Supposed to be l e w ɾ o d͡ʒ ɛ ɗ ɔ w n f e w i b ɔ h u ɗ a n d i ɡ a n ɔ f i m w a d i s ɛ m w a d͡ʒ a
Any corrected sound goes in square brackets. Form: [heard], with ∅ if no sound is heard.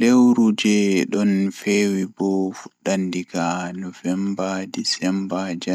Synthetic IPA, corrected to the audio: l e w ɾ [u] d͡ʒ ɛ ɗ ɔ [∅] n f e w i b ɔ [f] u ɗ a n d i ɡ a n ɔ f [ɛ] m [b] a d i s ɛ m [b] a d͡ʒ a